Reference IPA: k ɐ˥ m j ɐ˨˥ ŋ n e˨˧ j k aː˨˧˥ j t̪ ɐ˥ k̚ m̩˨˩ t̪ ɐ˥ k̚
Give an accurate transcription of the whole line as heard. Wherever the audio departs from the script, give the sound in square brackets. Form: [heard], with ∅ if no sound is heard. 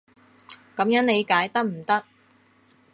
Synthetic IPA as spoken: k [ɐ˨˥] m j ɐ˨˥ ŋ n e˨˧ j k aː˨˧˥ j t̪ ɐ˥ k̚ m̩˨˩ t̪ ɐ˥ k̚